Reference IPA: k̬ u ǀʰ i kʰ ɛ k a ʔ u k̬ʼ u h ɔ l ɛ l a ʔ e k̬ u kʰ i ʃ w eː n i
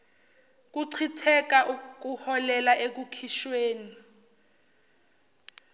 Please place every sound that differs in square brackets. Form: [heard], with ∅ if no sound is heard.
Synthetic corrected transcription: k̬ u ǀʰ i [tʰ] ɛ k a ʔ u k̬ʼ u h ɔ l ɛ l a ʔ e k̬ u kʰ i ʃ w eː n i